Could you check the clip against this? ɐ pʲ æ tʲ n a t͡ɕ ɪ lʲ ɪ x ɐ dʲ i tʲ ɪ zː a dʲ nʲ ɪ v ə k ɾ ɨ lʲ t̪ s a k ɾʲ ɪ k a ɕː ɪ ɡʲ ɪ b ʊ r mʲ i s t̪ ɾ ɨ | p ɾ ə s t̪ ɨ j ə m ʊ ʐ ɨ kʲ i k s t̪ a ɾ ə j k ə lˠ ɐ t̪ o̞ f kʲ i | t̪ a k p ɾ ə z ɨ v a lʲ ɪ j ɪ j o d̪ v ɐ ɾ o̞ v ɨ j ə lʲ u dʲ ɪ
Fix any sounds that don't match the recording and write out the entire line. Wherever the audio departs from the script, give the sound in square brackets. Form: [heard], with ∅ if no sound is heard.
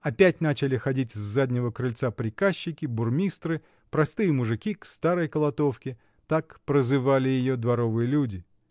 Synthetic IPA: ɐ pʲ æ tʲ n a t͡ɕ ɪ lʲ ɪ x ɐ dʲ i tʲ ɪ zː a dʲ nʲ ɪ v ə k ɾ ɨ lʲ t̪ s a [p] ɾʲ ɪ k a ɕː ɪ [kʲ] ɪ b ʊ r mʲ i s t̪ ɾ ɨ | p ɾ [ɐ] s t̪ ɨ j ə m ʊ ʐ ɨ kʲ i k s t̪ a ɾ ə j k ə lˠ ɐ t̪ o̞ f kʲ [ɪ] | t̪ a k p ɾ ə z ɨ v a lʲ ɪ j ɪ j o d̪ v ɐ ɾ o̞ v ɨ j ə lʲ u dʲ ɪ